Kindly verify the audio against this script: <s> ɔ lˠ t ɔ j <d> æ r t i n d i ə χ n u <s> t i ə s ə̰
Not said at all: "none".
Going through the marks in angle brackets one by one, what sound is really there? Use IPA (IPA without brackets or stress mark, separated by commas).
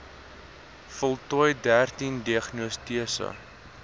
f, d, s